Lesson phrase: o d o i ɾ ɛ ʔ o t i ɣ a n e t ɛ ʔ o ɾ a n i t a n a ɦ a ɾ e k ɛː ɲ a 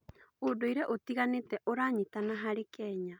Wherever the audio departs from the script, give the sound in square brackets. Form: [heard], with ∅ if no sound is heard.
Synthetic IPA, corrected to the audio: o d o i ɾ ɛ ʔ o t i ɣ a n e t ɛ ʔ o ɾ a [ɲ] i t a n a ɦ a ɾ e k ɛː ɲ a